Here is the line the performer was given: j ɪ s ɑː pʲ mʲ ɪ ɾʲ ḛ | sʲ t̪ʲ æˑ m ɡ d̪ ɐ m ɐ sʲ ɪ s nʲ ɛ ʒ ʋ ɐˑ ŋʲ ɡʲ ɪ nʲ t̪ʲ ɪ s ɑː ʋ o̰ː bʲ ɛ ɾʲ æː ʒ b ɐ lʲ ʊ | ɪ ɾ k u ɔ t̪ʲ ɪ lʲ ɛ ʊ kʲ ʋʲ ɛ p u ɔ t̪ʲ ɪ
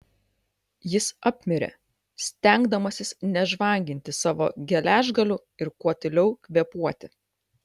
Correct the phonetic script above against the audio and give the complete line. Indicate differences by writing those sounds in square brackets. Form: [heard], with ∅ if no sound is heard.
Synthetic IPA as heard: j ɪ s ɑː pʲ mʲ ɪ ɾʲ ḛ | sʲ t̪ʲ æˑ [ŋ] ɡ d̪ ɐ m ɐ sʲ ɪ s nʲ ɛ ʒ ʋ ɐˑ ŋʲ ɡʲ ɪ nʲ t̪ʲ ɪ s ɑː ʋ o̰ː [ɡʲ] ɛ [lʲ] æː ʒ [ɡ] ɐ lʲ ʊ | ɪ ɾ k u ɔ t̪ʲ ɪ lʲ ɛ ʊ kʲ ʋʲ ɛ p u ɔ t̪ʲ ɪ